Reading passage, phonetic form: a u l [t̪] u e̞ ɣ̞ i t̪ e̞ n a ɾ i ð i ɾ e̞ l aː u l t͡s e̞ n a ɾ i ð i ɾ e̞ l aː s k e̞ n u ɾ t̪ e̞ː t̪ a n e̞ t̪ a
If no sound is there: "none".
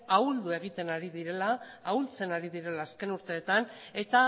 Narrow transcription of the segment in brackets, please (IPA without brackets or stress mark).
d̪